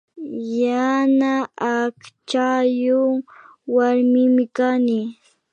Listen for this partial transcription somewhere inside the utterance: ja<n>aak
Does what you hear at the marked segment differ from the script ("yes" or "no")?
no